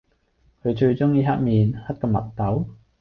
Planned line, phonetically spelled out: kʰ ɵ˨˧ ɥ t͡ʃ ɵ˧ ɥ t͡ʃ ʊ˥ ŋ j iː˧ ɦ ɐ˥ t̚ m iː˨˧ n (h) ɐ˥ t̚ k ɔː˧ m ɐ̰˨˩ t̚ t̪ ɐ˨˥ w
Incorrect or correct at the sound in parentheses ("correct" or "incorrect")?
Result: correct